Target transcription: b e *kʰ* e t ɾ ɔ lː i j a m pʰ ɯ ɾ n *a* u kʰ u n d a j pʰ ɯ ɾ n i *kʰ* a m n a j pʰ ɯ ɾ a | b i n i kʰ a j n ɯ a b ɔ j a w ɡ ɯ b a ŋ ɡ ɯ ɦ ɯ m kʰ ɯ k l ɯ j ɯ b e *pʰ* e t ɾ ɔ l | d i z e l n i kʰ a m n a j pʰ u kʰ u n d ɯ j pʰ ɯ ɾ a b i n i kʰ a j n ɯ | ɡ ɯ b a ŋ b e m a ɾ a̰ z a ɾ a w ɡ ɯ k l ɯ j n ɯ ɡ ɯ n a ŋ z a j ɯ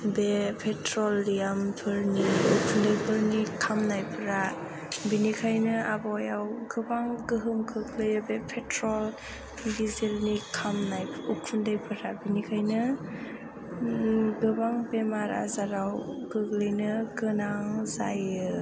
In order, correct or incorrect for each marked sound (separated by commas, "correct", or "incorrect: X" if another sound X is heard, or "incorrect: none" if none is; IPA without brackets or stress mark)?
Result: incorrect: pʰ, incorrect: i, correct, correct